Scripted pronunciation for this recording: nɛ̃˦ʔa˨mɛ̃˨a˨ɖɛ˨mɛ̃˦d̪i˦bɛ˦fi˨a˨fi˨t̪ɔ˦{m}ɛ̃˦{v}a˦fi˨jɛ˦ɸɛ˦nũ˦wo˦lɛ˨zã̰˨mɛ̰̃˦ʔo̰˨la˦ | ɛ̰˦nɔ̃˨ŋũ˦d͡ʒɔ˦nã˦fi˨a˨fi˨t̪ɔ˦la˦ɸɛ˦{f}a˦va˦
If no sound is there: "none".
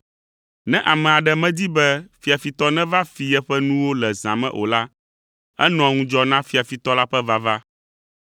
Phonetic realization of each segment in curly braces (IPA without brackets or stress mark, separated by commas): n, v, v